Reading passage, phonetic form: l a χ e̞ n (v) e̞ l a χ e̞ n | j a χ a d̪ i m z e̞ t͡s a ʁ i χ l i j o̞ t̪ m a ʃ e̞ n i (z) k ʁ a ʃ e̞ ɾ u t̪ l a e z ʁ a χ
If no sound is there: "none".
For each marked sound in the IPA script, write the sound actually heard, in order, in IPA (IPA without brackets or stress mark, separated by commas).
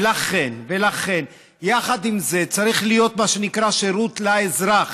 v, none